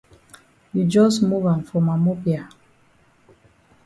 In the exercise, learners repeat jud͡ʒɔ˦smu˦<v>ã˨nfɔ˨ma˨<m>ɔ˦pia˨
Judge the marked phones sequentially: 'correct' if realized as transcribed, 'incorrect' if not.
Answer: correct, correct

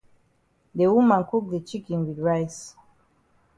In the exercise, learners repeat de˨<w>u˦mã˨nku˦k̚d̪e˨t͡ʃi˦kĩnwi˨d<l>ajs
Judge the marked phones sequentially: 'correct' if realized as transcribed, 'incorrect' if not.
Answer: correct, incorrect: ɹ

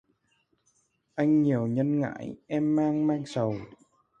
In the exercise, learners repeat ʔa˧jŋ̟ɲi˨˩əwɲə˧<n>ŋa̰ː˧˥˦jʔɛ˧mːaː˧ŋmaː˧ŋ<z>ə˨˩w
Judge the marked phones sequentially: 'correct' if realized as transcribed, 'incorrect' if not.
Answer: correct, incorrect: s

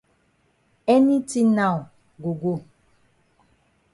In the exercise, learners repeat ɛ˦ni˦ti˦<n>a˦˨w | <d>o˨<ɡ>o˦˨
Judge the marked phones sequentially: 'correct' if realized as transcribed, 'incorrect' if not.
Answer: correct, incorrect: ɡ, correct

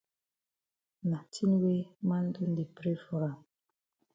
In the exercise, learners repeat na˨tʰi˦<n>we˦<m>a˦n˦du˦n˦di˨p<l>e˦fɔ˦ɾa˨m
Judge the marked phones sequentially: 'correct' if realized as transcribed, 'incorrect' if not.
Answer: correct, correct, incorrect: ɾ

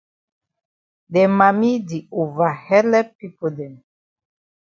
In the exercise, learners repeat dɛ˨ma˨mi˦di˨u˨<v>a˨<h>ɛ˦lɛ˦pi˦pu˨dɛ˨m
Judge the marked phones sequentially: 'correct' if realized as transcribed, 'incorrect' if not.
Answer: correct, correct

